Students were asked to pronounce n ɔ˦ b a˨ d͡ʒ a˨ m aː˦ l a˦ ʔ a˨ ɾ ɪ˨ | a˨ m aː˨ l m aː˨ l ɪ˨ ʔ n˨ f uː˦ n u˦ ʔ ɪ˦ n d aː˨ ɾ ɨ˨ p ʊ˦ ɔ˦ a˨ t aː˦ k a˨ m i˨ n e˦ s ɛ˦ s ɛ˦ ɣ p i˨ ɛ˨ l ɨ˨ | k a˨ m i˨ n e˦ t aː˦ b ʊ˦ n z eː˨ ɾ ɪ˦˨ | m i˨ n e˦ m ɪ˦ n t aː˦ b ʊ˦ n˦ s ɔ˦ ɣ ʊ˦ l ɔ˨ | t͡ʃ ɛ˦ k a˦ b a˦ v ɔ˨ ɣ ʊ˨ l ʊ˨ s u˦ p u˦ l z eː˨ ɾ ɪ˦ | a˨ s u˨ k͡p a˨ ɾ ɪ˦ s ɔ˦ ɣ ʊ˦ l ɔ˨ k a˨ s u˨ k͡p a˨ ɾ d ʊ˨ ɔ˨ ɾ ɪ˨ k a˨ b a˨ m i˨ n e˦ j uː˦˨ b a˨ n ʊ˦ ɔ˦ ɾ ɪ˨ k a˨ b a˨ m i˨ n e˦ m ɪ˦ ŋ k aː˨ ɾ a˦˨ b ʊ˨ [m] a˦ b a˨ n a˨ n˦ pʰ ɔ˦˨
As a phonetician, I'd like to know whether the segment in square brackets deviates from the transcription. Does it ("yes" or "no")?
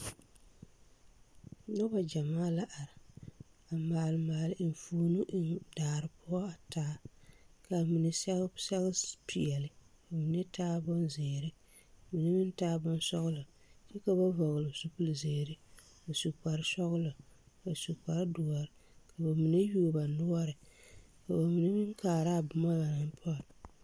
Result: no